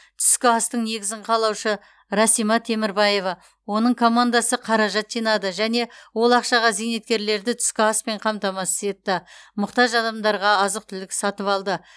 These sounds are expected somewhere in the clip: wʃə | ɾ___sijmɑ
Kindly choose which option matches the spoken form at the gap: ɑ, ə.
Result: ɑ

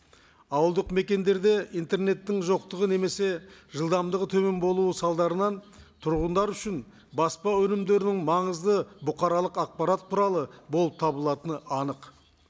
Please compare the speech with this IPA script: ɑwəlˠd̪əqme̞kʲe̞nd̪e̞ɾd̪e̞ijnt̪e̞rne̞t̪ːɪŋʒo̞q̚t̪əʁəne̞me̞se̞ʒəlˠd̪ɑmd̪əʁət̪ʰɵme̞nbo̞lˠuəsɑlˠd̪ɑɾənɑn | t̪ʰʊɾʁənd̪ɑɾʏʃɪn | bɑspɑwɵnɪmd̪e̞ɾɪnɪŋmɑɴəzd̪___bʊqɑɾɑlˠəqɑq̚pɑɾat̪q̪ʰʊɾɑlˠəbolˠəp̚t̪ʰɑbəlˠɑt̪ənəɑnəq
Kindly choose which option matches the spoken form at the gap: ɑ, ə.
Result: ə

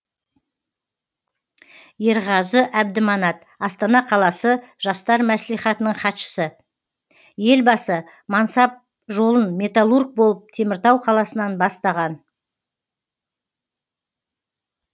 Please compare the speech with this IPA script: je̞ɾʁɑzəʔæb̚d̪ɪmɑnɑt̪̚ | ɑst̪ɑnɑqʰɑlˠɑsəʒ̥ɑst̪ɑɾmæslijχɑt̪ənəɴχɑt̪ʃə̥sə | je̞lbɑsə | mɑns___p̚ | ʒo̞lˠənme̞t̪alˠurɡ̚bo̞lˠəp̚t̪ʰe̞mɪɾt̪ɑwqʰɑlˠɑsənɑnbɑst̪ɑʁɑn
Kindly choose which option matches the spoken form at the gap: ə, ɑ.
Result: ɑ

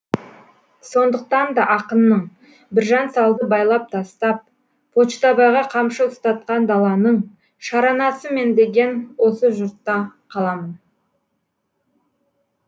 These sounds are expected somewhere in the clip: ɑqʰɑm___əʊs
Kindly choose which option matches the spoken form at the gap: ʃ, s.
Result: ʃ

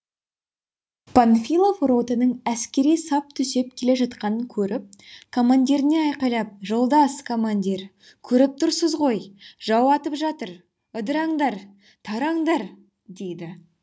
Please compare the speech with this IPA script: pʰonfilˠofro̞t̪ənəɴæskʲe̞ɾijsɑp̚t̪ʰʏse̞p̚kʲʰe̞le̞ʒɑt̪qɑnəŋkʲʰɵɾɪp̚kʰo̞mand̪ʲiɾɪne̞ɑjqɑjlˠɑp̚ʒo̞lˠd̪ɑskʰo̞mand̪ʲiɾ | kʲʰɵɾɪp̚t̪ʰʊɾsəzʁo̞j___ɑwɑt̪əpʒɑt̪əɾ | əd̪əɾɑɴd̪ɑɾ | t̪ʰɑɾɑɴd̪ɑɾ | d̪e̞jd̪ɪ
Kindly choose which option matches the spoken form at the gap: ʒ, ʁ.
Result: ʒ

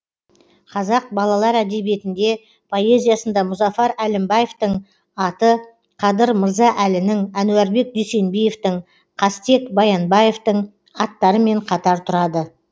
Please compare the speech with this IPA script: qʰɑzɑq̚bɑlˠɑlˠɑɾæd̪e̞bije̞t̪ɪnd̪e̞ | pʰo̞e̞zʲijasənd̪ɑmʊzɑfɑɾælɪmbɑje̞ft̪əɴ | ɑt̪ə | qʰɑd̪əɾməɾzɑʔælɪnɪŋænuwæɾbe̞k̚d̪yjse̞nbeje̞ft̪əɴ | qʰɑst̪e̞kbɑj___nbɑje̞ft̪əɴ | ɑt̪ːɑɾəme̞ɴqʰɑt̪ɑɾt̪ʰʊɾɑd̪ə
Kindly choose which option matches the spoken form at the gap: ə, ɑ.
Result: ɑ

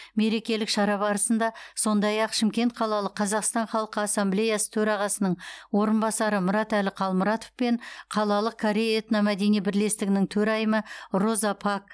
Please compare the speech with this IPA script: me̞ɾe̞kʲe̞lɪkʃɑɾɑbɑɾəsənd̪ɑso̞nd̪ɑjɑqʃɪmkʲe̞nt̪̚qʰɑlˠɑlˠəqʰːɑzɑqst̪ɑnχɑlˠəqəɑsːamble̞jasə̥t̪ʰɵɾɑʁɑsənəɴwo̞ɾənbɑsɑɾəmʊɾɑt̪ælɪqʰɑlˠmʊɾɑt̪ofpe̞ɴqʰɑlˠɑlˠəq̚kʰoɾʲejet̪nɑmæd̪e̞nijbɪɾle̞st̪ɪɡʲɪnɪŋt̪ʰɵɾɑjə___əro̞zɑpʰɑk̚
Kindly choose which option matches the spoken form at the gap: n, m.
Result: m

